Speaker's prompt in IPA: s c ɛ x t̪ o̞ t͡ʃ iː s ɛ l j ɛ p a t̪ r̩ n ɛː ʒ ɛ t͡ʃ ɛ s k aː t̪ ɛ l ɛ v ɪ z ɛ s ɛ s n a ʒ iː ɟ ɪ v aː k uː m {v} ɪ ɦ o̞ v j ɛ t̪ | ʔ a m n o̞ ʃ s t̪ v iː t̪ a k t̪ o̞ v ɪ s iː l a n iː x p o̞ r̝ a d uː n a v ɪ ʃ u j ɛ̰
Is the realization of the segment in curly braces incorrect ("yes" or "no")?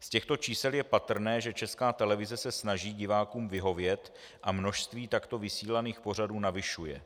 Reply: no